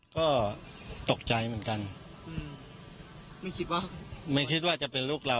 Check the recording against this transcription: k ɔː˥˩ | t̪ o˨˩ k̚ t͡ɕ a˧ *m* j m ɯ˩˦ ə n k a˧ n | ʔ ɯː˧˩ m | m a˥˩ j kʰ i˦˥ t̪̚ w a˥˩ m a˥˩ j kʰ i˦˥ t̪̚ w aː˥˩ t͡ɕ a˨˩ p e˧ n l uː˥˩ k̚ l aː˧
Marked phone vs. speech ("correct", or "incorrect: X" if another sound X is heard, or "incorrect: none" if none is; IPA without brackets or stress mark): incorrect: none